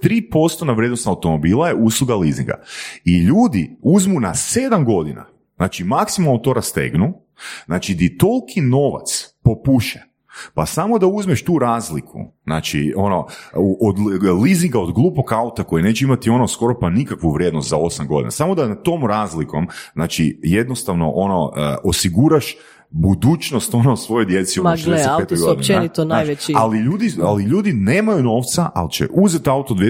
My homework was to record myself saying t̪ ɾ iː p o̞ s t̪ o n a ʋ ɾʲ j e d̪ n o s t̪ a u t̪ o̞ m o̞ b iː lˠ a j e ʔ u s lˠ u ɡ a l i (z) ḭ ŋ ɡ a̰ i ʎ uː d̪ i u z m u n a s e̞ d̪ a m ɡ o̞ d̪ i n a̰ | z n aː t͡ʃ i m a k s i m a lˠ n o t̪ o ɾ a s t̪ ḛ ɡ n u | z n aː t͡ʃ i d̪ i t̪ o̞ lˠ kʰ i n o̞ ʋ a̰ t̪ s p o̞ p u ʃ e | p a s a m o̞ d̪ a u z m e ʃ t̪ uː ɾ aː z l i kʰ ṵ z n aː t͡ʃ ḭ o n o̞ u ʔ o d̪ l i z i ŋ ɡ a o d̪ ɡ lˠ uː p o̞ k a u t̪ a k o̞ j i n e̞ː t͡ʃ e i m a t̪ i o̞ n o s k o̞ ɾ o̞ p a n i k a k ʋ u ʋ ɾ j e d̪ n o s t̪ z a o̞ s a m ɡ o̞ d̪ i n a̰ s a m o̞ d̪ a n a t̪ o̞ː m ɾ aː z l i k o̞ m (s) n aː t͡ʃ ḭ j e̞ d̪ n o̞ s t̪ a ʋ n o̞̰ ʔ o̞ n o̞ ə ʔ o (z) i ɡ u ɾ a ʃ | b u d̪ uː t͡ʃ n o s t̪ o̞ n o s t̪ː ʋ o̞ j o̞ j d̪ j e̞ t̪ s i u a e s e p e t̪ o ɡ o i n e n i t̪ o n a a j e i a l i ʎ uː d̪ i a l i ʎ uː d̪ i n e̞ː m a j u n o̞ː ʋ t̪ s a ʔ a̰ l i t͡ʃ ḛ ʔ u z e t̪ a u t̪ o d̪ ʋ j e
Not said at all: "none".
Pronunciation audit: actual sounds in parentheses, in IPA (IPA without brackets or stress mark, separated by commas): z, z, s